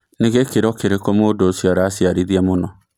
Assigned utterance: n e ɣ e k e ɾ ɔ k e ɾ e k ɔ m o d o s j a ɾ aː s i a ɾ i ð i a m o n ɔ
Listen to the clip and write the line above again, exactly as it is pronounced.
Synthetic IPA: n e ɣ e k e ɾ ɔ k e ɾ e k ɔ m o d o s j a ɾ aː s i a ɾ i ð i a m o n ɔ